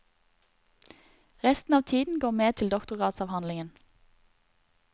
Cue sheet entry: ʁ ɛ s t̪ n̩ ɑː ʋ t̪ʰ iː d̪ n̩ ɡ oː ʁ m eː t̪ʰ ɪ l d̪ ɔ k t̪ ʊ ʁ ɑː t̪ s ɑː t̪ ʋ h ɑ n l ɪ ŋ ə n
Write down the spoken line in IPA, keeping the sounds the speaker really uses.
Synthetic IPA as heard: ʁ ɛ s t̪ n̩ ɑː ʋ t̪ʰ iː d̪ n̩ ɡ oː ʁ m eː t̪ʰ ɪ l d̪ ɔ k t̪ ʊ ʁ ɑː t̪ s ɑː ʋ h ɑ n l ɪ ŋ ə n